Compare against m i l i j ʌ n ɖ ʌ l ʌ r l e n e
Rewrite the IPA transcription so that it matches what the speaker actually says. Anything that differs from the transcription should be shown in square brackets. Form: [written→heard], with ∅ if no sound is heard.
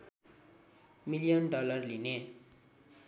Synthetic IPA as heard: m i l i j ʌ n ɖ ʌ l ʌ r l [e→i] n e

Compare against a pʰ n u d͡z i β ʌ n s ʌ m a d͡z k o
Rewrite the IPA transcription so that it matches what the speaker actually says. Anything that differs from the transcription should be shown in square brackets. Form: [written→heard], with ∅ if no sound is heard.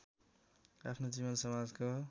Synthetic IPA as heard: a pʰ n [u→o] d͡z i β ʌ n s ʌ m a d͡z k o

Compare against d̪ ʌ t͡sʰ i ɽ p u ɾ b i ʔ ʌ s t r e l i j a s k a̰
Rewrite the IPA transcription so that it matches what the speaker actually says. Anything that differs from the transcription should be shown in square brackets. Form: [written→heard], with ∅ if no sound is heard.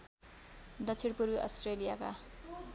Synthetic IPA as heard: d̪ ʌ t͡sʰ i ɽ p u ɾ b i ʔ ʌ s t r e l i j a [s→∅] k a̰

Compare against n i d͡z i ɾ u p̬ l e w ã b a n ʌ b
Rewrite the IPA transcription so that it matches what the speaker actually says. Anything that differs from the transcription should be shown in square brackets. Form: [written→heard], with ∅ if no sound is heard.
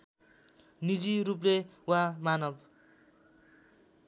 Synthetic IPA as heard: n i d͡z i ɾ u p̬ l e w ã [b→m] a n ʌ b

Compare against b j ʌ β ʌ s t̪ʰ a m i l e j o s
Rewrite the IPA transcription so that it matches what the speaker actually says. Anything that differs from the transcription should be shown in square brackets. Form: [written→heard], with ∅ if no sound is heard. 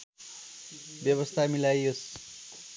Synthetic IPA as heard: b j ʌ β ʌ s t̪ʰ a m i l [e→a] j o s

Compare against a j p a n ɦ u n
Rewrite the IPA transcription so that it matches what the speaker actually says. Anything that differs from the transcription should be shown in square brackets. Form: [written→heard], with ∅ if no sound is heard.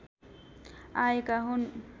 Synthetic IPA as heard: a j [p→k] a [n→∅] ɦ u n

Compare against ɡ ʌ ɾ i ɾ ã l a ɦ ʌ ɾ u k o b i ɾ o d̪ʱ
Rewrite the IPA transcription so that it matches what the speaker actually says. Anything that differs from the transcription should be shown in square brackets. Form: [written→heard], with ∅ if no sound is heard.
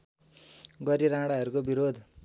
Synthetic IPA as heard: ɡ ʌ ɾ i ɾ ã [l→ɽ] a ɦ ʌ ɾ u k o b i ɾ o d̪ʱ

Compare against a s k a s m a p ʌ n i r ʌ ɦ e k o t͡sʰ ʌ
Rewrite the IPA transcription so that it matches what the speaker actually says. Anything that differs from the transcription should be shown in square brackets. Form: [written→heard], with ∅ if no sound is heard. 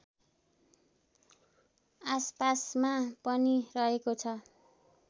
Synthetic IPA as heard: a s [k→p] a s m a p ʌ n i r ʌ ɦ e k o t͡sʰ ʌ

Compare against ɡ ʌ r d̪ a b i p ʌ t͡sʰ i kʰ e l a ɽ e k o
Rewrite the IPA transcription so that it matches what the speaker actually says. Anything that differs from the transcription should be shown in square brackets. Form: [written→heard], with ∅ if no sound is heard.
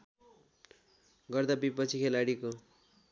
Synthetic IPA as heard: ɡ ʌ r d̪ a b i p ʌ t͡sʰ i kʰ e l a ɽ [e→i] k o

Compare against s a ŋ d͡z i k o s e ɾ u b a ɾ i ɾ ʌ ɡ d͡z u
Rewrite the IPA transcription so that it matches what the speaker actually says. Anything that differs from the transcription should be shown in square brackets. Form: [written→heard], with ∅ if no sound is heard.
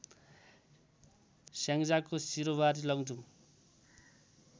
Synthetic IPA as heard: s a ŋ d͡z [i→a] k o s [e→i] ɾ [u→o] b a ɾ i [ɾ→l] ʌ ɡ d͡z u

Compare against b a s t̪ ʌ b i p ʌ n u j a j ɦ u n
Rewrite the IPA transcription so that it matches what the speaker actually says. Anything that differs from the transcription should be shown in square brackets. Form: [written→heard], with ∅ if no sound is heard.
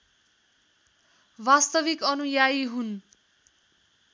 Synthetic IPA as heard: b a s t̪ ʌ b i [p→k] ʌ n u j a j ɦ u n

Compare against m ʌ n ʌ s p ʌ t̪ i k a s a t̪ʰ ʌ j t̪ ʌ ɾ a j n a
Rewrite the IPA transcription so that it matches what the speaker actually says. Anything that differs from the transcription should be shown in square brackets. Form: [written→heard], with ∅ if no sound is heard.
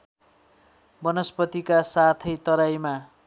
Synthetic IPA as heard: [m→b] ʌ n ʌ s p ʌ t̪ i k a s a t̪ʰ ʌ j t̪ ʌ ɾ a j [n→m] a

